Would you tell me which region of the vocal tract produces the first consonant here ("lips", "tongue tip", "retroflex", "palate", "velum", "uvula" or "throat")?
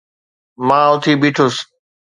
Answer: lips